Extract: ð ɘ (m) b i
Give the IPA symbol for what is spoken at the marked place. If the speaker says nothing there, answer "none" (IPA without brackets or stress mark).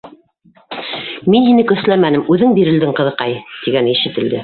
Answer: ŋ